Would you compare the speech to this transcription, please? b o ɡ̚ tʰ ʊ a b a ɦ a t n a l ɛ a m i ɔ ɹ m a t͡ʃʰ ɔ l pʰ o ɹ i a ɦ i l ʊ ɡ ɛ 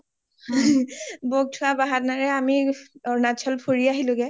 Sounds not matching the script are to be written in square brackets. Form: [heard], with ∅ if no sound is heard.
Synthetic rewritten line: b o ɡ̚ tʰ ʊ a b a ɦ a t n a [ɹ] ɛ a m i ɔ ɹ [n] a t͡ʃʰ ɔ l pʰ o ɹ i a ɦ i l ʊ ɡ ɛ

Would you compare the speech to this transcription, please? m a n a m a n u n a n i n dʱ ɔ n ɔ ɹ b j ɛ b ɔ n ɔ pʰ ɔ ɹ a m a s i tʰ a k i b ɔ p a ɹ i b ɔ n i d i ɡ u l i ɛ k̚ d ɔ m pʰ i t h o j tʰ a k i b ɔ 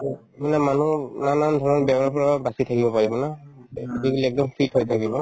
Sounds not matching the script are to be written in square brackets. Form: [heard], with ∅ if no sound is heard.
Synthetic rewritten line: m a n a m a n u n a n [a] n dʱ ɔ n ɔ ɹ b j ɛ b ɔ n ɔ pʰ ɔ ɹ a [b] a s i tʰ a k i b ɔ p a ɹ i b ɔ n [a] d i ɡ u l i ɛ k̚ d ɔ m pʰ i t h o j tʰ a k i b ɔ

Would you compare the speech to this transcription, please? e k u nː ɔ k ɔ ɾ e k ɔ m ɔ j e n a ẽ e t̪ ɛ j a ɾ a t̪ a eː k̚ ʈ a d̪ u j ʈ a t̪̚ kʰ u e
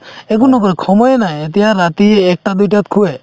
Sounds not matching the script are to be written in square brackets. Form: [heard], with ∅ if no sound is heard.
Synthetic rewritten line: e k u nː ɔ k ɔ ɾ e [kʰ] ɔ m ɔ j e n a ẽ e t̪ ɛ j a ɾ a t̪ [i] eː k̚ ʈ a d̪ u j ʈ a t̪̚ kʰ u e

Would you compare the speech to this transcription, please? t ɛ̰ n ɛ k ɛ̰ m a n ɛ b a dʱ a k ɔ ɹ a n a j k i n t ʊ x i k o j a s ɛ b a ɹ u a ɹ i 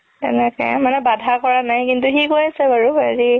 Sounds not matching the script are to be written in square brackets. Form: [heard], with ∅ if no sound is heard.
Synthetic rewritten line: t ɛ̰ n ɛ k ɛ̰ m a n ɛ b a dʱ a k ɔ ɹ a n a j k i n t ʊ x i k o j a s ɛ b a ɹ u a ɹ i

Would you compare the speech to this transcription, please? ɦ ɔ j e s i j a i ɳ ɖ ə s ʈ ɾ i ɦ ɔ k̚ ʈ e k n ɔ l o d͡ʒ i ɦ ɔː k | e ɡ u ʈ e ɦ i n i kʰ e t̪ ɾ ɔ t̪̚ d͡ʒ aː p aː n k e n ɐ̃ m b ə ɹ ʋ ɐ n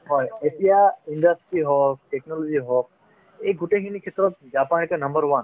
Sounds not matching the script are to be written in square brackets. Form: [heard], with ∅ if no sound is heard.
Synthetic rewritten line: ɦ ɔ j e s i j a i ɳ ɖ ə s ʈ ɾ i ɦ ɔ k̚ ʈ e k n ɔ l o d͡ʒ i ɦ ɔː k | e ɡ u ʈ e ɦ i n i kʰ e t̪ ɾ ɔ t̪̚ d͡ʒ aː p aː n k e n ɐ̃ m b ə [ɾ] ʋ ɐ n

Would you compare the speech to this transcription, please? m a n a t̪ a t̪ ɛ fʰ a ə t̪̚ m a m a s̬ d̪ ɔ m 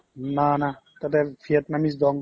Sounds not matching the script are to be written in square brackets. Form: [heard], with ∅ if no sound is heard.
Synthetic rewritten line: [n] a n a t̪ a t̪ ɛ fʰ [i] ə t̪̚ [n] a m [i] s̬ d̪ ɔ [ŋ]

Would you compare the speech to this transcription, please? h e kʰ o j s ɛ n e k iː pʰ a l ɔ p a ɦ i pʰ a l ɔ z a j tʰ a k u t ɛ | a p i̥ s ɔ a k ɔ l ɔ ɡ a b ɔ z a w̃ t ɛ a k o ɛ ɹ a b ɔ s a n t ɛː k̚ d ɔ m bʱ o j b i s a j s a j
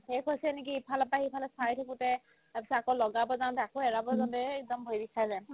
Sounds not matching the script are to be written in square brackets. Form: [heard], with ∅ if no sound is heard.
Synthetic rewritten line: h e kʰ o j s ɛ n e k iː pʰ a l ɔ p a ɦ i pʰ a l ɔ [s] a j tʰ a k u t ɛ | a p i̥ s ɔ a k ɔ l ɔ ɡ a b ɔ z a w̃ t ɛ a k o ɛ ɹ a b ɔ [z] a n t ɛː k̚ d ɔ m bʱ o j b i s a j [z] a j

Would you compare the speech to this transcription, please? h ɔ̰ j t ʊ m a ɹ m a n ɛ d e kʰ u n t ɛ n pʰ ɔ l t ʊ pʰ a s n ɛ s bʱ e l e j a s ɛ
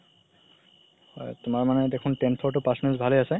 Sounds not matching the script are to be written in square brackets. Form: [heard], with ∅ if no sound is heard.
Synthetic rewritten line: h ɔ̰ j t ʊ m a ɹ m a n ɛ d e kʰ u n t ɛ n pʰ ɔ [ɹ] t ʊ [p] a s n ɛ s bʱ [a] l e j a s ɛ

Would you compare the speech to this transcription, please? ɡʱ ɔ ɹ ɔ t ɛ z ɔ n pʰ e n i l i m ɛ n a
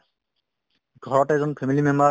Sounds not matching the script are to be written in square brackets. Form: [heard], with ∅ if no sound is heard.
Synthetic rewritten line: ɡʱ ɔ ɹ ɔ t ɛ z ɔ n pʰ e [m] i l i m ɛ [m] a

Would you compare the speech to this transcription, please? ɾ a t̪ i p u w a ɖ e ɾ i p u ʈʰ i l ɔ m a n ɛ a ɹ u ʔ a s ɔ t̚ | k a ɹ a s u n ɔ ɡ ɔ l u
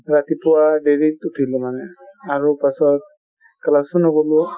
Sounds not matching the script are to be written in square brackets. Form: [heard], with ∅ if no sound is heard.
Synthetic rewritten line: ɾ a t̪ i p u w a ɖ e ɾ i [t] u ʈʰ i l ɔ m a n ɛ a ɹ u [p] a s ɔ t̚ | k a [l] a s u n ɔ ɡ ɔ l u

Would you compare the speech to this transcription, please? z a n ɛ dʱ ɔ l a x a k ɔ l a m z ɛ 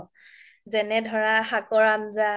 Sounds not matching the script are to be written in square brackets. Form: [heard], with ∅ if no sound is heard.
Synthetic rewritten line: z [ɛ] n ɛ dʱ ɔ [ɹ] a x a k ɔ [ɹ] a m z [a]

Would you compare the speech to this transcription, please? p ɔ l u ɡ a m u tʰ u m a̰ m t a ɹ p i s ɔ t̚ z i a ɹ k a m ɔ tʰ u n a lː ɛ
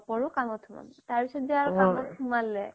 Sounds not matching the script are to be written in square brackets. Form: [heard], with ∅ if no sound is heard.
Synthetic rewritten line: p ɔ [ɹ] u [k] a m [ɔ] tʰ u m a̰ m t a ɹ p i s ɔ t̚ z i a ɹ k a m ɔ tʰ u [m] a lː ɛ

